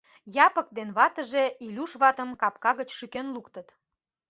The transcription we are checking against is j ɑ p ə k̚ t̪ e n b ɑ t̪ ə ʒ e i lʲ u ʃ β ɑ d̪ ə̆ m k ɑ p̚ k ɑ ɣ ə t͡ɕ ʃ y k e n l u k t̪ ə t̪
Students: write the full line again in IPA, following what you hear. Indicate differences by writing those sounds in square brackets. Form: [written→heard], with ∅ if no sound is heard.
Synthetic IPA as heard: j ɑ p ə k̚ [t̪→d̪] e n [b→β] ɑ t̪ ə ʒ e i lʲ u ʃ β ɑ [d̪→t̪] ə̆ m k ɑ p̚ k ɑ ɣ ə t͡ɕ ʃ y k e n l u k t̪ ə t̪